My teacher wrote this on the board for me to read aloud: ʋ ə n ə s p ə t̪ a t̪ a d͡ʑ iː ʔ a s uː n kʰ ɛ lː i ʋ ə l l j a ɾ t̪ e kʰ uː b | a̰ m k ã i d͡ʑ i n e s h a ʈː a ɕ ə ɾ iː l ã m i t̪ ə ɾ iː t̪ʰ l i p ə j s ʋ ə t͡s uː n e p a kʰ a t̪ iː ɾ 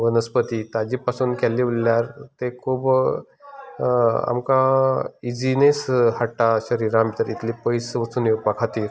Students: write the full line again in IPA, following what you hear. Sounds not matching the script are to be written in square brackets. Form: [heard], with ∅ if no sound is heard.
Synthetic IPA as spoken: ʋ ə n ə s p ə t̪ [i] t̪ a d͡ʑ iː [p] a s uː n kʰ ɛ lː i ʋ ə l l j a ɾ t̪ e kʰ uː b | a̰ m k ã i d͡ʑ i n e s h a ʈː a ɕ ə ɾ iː [ɾ] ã m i t̪ ə ɾ [i] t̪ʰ l i p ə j s ʋ ə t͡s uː n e p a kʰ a t̪ iː ɾ